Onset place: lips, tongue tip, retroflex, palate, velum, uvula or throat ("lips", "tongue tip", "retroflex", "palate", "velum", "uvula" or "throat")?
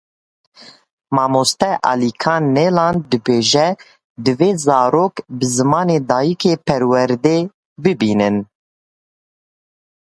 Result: lips